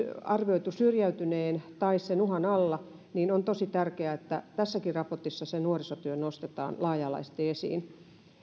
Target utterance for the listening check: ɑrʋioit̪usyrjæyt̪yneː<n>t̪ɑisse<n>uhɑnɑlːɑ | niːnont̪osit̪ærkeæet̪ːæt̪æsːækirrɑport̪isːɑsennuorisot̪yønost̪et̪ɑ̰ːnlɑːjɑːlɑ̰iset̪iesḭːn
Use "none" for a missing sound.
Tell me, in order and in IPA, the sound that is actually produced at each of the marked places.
n, n

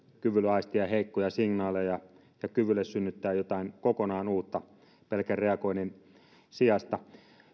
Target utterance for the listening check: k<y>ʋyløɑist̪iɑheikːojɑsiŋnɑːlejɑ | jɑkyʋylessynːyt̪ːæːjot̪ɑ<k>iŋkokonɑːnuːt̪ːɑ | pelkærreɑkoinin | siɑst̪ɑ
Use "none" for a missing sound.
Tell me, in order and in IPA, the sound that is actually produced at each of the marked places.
y, none

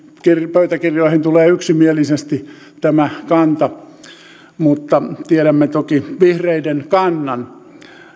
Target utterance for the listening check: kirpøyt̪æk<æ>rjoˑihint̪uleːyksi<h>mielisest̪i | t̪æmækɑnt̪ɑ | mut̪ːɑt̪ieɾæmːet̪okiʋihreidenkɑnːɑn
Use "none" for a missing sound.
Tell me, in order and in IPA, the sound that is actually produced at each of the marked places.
i, none

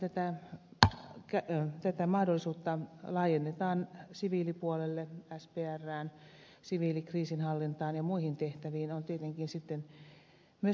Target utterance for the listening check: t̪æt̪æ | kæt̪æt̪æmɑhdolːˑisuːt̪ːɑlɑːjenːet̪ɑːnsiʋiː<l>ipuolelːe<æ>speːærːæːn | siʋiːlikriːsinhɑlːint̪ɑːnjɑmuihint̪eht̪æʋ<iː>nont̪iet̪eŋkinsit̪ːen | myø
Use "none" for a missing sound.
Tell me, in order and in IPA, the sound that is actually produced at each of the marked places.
l, æ, iː

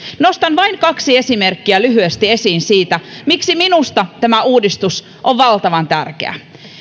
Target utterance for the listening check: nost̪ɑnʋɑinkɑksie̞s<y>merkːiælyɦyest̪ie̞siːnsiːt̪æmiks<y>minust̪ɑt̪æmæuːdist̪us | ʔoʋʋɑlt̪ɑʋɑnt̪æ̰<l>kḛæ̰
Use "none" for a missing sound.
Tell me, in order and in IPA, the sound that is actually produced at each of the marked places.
i, i, r

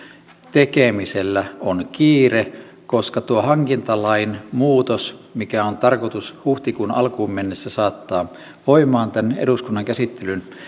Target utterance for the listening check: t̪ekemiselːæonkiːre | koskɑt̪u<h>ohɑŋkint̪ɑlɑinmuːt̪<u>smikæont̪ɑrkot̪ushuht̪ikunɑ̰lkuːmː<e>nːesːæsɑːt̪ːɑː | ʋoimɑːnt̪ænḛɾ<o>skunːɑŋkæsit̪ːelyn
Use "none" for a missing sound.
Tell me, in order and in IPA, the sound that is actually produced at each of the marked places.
none, o, e, u

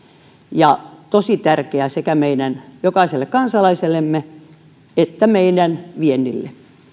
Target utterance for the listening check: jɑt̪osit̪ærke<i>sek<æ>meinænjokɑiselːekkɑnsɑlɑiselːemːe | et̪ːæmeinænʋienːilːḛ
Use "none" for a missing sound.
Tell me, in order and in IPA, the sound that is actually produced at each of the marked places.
æ, æ

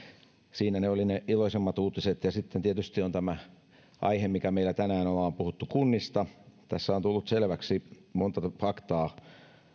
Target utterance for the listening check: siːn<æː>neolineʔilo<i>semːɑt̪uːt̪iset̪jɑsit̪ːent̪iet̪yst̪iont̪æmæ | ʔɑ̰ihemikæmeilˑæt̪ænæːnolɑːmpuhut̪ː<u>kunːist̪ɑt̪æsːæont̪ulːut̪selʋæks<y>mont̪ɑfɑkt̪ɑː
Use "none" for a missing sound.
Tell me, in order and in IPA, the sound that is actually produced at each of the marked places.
æ, i, u, i

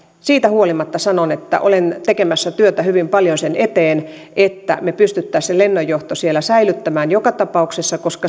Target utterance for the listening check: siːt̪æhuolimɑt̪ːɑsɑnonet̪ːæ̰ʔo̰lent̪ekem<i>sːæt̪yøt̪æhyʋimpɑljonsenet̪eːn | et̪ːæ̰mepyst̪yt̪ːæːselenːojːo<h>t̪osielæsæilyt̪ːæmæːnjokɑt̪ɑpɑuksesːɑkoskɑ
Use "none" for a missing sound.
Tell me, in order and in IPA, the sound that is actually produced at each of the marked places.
æ, h

